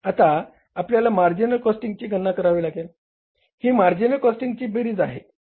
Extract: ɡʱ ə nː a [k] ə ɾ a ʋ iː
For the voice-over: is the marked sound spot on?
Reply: yes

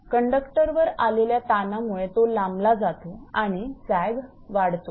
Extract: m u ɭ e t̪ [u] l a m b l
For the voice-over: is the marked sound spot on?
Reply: no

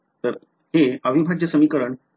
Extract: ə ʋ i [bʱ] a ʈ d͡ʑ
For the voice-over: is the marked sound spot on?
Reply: yes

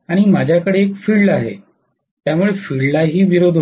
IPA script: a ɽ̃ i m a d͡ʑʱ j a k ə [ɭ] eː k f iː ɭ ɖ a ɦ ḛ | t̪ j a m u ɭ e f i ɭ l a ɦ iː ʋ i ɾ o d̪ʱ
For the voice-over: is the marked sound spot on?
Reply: no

